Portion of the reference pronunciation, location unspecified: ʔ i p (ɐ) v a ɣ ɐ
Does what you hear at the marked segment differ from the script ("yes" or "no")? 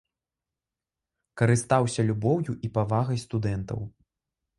yes